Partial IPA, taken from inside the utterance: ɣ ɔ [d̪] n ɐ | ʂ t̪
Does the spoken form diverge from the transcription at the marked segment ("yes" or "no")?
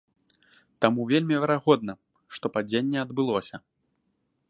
no